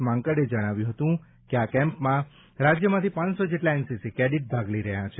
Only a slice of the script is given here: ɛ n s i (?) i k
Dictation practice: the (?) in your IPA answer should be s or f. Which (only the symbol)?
s